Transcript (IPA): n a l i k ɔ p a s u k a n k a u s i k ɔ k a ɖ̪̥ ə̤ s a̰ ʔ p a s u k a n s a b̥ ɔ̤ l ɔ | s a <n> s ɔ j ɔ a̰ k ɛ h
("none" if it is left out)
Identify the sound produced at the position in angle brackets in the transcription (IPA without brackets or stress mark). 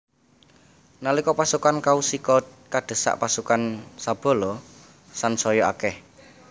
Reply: n